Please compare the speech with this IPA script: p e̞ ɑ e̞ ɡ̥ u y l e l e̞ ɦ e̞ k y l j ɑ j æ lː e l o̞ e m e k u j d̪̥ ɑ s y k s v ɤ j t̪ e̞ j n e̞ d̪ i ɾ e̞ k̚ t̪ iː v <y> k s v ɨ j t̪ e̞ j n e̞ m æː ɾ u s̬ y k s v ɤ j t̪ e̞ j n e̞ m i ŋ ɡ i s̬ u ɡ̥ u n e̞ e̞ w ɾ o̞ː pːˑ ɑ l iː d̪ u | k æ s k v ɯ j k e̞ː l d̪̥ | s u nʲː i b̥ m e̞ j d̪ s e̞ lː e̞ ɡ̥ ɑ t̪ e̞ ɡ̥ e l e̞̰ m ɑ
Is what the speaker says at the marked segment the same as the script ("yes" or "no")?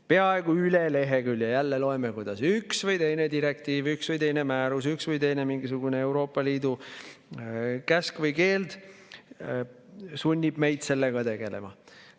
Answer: yes